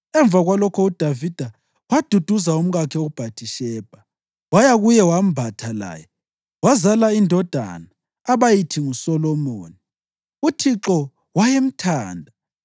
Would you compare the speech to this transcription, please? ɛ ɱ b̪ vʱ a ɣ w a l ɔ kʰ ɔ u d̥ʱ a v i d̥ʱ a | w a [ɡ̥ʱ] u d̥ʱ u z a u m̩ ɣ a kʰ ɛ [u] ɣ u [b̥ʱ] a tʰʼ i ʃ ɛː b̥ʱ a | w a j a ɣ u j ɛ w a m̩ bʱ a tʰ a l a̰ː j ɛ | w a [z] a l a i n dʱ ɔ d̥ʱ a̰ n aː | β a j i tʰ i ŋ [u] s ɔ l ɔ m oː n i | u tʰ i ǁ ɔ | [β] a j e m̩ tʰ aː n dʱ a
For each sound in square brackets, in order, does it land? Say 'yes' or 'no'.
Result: no, no, yes, yes, yes, no

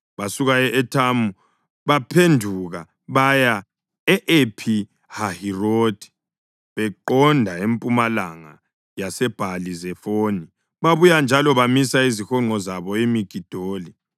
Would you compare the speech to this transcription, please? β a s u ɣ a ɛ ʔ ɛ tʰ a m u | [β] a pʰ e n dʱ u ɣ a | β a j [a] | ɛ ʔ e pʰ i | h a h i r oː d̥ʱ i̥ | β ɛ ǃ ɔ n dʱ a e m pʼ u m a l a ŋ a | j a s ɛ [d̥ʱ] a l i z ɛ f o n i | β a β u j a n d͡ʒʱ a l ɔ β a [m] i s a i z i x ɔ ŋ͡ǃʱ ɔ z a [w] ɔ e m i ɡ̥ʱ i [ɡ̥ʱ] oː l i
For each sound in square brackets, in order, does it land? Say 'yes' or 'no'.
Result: yes, yes, no, yes, no, no

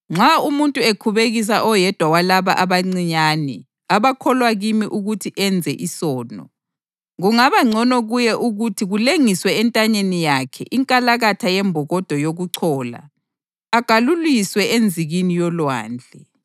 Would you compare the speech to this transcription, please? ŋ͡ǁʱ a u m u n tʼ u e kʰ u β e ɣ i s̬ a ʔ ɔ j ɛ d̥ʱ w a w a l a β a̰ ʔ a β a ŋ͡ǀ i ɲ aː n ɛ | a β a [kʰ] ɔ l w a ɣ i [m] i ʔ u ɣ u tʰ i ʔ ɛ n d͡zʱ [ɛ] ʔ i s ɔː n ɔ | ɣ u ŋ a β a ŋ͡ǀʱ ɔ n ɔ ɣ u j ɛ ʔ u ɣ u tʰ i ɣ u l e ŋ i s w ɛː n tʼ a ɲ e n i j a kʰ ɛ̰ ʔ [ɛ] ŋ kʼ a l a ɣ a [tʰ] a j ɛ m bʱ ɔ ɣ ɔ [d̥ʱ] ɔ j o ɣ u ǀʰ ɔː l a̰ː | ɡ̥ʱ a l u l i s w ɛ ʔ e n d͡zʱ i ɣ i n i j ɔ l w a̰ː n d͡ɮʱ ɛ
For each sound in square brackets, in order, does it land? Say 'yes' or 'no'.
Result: yes, yes, yes, no, yes, yes

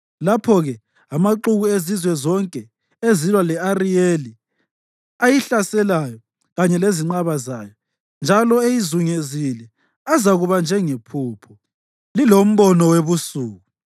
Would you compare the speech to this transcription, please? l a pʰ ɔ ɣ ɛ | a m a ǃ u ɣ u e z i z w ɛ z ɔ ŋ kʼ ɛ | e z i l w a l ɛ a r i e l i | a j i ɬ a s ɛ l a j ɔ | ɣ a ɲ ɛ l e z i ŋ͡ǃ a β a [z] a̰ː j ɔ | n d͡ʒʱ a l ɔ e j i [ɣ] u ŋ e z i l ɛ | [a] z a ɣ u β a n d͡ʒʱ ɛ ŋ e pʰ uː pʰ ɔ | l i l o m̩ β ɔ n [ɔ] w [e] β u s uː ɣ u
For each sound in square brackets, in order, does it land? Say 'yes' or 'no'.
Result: yes, no, yes, yes, yes

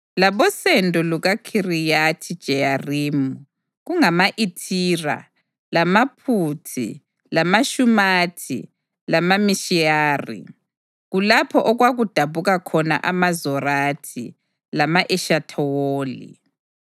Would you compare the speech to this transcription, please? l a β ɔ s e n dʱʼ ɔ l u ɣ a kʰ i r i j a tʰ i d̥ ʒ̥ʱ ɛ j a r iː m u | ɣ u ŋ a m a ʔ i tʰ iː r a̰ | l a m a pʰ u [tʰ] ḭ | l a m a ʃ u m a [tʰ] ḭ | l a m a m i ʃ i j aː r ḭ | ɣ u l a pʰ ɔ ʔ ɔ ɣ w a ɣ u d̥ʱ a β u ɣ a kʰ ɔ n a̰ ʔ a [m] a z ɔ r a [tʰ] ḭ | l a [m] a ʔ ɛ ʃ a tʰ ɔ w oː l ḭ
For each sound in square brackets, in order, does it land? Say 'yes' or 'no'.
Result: yes, yes, yes, yes, yes

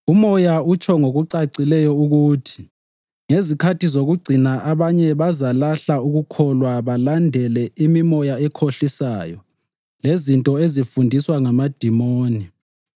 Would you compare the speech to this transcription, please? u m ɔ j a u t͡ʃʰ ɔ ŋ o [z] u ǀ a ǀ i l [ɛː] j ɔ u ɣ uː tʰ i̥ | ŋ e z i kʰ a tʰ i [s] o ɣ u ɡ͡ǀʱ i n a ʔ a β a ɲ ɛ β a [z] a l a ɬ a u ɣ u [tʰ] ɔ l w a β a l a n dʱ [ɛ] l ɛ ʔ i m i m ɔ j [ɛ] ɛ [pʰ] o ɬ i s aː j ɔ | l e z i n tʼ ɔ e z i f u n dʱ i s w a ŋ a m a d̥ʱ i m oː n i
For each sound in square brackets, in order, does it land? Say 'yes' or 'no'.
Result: no, no, no, yes, no, yes, no, no

